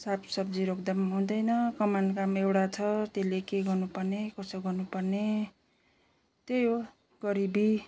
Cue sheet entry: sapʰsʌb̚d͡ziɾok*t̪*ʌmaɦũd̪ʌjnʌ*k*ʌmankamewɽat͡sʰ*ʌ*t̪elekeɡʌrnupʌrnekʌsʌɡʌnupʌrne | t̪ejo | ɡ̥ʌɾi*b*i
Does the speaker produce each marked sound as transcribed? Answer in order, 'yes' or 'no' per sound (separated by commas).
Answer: no, yes, yes, yes